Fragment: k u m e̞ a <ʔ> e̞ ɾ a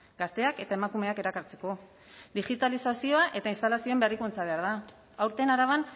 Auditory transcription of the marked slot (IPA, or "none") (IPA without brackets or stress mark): k